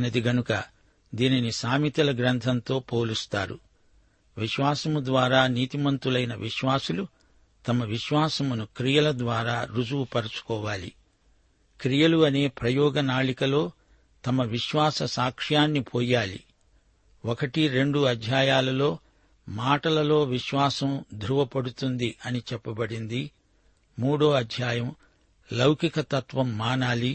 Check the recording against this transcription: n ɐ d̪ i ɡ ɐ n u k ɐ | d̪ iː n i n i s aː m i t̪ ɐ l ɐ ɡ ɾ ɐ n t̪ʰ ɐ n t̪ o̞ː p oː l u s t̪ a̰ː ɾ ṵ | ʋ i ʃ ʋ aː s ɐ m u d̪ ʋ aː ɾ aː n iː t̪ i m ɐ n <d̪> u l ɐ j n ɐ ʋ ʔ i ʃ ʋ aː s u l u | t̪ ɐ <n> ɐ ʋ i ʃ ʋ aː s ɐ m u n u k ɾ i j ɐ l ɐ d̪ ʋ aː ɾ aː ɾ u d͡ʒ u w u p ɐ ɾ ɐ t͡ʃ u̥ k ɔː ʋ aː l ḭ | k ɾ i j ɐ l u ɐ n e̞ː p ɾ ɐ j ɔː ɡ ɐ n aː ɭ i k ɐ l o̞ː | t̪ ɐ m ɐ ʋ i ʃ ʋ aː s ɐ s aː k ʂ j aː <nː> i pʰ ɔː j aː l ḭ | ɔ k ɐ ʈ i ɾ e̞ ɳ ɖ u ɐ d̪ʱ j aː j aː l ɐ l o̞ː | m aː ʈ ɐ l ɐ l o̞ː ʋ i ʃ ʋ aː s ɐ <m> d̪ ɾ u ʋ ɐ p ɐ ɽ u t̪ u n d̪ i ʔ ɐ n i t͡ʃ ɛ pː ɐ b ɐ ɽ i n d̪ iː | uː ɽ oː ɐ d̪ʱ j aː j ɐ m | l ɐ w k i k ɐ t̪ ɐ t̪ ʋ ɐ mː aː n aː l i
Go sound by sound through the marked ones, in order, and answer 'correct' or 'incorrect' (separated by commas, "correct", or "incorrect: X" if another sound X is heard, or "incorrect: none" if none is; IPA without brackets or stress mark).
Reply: incorrect: t̪, incorrect: m, correct, correct